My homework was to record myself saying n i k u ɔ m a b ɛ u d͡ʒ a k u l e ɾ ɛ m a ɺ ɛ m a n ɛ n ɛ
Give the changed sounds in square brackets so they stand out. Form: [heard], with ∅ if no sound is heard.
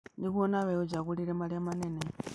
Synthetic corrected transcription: n i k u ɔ [n] a [β] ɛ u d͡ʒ a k u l [i] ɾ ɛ m a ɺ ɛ m a n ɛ n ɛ